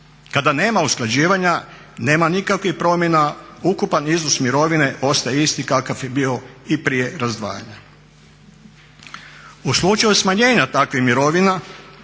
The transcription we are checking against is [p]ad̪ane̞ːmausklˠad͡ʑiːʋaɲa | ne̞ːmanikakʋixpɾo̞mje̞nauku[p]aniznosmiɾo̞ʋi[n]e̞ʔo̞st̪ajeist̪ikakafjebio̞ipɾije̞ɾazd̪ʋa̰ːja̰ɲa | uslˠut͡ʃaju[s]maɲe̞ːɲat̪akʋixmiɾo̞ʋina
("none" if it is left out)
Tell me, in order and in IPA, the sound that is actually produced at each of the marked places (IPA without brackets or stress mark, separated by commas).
k, p, n, s